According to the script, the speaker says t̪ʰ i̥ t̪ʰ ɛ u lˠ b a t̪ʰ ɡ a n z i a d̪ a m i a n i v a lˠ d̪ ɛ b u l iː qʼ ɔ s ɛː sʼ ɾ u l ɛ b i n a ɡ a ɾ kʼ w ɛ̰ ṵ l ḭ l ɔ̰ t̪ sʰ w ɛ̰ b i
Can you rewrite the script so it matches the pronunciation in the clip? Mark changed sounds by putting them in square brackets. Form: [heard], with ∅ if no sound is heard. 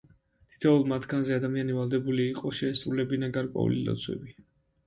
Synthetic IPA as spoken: t̪ʰ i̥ t̪ʰ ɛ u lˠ [m] a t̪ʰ ɡ a n z [ɛ] a d̪ a m i a n i v a lˠ d̪ ɛ b u l iː qʼ ɔ [ʃ] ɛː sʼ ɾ u l ɛ b i n a ɡ a ɾ kʼ w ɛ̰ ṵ l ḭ l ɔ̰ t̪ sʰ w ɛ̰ b i